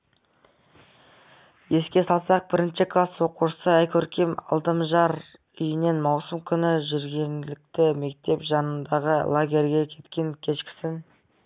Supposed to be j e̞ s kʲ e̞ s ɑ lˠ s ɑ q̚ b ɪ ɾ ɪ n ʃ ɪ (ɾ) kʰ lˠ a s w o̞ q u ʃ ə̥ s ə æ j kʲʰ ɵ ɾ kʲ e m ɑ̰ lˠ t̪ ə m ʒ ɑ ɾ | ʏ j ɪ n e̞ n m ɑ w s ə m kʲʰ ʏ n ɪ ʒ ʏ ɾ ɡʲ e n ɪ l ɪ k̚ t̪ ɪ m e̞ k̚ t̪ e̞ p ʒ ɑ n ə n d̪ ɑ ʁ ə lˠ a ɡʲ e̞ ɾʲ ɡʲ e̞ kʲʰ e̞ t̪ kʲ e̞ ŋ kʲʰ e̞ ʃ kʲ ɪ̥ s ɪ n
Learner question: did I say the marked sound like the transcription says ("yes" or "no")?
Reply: no